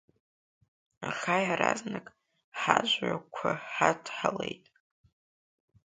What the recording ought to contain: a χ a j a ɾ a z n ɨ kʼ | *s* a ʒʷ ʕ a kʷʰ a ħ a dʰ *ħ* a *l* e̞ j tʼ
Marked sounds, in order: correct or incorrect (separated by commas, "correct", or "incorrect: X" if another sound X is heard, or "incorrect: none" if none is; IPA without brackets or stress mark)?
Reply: incorrect: ħ, correct, correct